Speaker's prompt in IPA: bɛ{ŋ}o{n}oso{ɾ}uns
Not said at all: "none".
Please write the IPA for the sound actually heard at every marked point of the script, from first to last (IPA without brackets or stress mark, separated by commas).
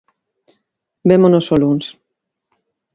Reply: m, n, l